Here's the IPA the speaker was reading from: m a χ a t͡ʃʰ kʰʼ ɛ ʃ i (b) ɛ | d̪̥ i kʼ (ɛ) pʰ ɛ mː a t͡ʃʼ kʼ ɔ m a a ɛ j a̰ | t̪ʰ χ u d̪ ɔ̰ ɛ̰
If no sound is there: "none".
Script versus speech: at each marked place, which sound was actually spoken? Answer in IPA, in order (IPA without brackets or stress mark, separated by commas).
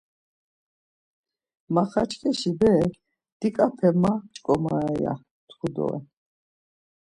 b, a